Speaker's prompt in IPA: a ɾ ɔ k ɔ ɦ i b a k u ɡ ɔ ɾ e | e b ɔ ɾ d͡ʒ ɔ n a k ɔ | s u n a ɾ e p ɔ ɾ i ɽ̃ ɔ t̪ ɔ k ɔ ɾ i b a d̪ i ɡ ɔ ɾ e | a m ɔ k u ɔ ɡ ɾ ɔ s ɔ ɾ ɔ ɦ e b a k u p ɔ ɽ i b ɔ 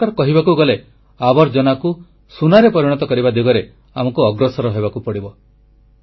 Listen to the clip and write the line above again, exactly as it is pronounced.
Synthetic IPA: a ɾ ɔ k ɔ ɦ i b a k u ɡ ɔ l e | a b ɔ ɾ d͡ʒ ɔ n a k u | s u n a ɾ e p ɔ ɾ i ɽ̃ ɔ t̪ ɔ k ɔ ɾ i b a d̪ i ɡ ɔ ɾ e | a m ɔ k u ɔ ɡ ɾ ɔ s ɔ ɾ ɔ ɦ e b a k u p ɔ ɽ i b ɔ